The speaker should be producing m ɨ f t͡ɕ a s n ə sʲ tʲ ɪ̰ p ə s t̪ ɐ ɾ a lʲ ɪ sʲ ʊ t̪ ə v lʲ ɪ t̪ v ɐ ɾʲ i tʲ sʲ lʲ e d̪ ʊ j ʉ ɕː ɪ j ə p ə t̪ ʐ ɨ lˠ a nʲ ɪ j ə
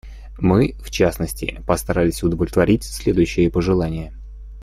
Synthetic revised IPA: m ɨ f t͡ɕ a s n ə sʲ tʲ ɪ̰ p ə s t̪ ɐ ɾ a lʲ ɪ sʲ ʊ d̪ ə v lʲ ɪ t̪ v ɐ ɾʲ i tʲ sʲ lʲ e d̪ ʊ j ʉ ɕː ɪ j ə p ə ʐ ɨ lˠ a nʲ ɪ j ə